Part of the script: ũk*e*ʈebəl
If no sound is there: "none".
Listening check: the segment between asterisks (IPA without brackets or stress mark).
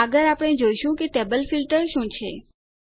e